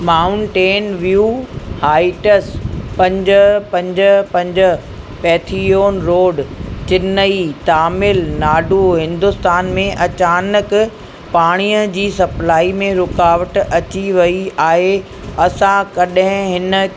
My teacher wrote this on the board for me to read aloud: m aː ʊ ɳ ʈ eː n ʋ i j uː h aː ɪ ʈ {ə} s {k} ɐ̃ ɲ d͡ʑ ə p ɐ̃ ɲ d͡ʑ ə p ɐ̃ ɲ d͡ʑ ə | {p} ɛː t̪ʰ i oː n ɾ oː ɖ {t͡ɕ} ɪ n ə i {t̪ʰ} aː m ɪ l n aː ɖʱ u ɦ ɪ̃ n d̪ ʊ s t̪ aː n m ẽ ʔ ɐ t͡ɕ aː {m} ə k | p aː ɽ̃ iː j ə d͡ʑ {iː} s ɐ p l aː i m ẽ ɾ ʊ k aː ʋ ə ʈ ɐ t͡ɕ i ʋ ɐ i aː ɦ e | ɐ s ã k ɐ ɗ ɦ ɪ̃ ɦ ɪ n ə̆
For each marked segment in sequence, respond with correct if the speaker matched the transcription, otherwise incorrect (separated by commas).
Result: correct, incorrect, correct, correct, incorrect, incorrect, correct